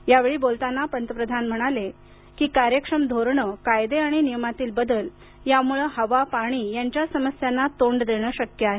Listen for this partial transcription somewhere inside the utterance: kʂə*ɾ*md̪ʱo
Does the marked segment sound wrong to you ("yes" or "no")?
yes